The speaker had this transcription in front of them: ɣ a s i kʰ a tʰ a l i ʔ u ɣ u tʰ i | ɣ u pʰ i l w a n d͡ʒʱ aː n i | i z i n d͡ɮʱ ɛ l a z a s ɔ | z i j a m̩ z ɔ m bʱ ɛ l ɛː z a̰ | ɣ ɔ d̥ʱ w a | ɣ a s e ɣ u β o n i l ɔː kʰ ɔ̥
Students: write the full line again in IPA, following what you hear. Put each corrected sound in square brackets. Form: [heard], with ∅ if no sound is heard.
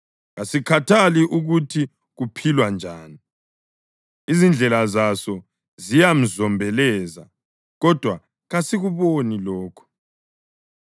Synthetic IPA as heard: ɣ a s i kʰ a tʰ a l i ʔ u ɣ u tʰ i | ɣ u pʰ i l w a n d͡ʒʱ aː n i | i z i n d͡ɮʱ ɛ l a z a s ɔ | z i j a m̩ z ɔ m bʱ ɛ l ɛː z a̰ | ɣ ɔ d̥ʱ w a | ɣ a s [i] ɣ u β o n i l ɔː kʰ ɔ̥